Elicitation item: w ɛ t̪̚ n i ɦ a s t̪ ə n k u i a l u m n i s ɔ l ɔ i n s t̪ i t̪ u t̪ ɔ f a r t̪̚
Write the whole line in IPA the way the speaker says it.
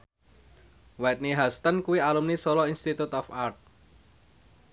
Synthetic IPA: w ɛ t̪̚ n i ɦ a s t̪ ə n k u i a l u m n i s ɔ l ɔ i n s t̪ i t̪ u t̪ ɔ f a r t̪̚